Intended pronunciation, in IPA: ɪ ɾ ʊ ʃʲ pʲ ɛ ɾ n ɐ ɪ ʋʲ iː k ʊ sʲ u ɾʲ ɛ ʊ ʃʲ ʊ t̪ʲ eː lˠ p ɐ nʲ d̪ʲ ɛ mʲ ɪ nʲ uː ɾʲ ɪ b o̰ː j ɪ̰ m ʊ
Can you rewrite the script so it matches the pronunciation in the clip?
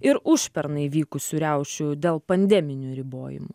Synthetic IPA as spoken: ɪ ɾ ʊ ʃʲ pʲ ɛ ɾ n ɐ ɪ ʋʲ iː k ʊ sʲ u ɾʲ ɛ ʊ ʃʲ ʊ d̪ʲ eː lˠ p ɐ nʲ d̪ʲ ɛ mʲ ɪ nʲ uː ɾʲ ɪ b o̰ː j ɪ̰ m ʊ